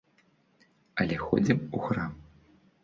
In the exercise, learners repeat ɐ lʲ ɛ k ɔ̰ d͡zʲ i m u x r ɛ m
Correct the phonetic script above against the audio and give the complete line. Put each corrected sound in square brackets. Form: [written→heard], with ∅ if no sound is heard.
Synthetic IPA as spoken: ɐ lʲ ɛ [k→x] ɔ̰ d͡zʲ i m u x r [ɛ→a] m